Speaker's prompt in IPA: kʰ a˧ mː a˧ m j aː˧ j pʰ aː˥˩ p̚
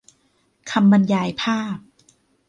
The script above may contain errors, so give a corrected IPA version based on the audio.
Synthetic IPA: kʰ a˧ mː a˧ n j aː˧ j pʰ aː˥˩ p̚